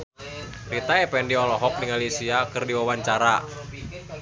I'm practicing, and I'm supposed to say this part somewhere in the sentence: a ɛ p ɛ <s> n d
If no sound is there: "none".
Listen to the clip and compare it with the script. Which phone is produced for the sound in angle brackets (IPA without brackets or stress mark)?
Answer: none